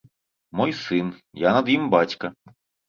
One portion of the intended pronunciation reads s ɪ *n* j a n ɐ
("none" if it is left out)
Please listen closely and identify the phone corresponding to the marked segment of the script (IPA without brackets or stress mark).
n